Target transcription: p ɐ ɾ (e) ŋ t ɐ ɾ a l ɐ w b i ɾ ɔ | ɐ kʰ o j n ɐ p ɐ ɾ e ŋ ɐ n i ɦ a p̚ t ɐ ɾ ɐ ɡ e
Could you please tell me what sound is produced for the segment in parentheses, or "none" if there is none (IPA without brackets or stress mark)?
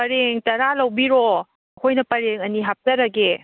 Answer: e